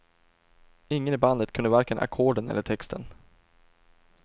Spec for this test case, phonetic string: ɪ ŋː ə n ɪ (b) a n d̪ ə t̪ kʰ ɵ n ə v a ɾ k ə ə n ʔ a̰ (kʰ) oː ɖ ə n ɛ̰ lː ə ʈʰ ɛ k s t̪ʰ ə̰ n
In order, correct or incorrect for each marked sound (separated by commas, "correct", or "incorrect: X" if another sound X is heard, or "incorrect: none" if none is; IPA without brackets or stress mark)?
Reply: correct, correct